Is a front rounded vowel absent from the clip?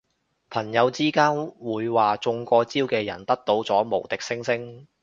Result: yes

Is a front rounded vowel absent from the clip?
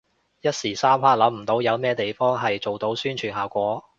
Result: no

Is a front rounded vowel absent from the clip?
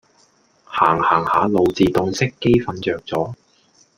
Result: no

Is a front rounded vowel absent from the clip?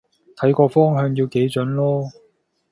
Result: no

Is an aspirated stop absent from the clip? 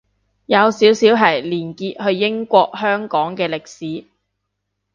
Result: yes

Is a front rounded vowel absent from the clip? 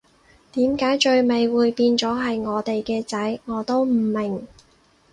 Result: yes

